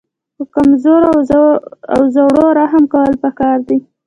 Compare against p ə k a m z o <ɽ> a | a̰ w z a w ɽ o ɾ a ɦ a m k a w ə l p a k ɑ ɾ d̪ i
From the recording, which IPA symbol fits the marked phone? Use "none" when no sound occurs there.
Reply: ɾ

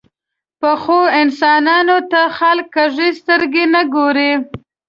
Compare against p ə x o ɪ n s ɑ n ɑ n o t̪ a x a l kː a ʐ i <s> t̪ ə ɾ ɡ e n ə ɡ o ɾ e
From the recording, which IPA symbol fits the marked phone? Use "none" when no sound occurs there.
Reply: s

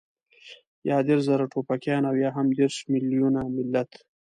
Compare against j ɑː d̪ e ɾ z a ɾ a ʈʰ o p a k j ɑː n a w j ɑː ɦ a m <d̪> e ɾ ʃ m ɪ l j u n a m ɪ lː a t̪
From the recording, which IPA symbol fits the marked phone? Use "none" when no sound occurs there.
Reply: d̪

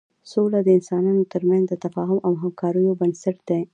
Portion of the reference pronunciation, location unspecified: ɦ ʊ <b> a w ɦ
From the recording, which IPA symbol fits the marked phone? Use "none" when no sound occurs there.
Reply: m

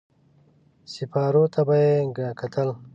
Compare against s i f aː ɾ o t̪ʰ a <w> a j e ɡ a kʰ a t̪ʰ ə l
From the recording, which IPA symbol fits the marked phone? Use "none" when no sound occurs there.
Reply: b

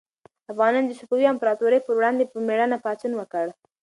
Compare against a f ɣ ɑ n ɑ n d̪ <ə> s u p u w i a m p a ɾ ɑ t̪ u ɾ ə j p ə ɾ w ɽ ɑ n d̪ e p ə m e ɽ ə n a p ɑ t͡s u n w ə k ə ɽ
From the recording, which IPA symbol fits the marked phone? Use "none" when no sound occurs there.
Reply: ə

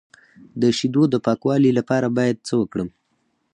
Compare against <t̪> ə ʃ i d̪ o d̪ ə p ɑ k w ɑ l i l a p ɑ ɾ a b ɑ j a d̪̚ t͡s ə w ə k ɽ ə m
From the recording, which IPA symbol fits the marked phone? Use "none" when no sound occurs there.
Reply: d̪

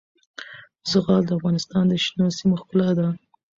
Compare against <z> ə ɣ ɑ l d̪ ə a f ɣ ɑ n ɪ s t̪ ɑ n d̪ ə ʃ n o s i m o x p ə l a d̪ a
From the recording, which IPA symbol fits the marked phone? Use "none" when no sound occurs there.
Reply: z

